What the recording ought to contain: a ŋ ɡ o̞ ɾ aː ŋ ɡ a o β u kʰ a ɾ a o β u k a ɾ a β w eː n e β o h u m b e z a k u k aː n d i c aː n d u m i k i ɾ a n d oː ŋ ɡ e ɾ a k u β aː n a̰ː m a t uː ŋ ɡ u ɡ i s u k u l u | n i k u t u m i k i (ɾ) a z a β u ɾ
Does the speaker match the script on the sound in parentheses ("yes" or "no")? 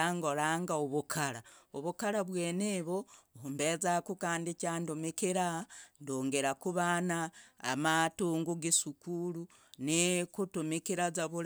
yes